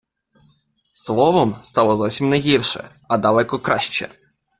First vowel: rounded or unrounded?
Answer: rounded